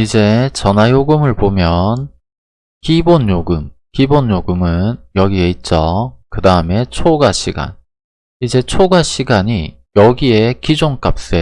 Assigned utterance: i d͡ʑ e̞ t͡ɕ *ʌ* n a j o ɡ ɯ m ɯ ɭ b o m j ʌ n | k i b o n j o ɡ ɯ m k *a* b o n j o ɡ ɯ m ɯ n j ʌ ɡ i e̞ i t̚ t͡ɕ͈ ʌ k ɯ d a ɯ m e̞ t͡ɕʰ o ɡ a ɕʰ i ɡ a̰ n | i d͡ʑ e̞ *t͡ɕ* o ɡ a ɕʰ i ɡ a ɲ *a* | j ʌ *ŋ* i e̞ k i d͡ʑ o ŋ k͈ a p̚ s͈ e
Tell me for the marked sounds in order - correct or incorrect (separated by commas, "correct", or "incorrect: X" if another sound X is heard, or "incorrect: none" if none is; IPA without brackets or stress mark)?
correct, incorrect: i, incorrect: t͡ɕʰ, incorrect: i, incorrect: ɡ